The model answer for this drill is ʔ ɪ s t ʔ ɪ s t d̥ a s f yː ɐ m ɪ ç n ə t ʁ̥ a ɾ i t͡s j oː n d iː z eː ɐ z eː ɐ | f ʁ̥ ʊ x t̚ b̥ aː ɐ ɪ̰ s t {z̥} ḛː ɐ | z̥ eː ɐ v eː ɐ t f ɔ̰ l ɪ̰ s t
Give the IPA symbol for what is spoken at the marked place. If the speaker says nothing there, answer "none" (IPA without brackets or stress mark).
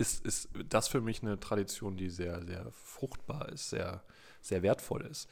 z̥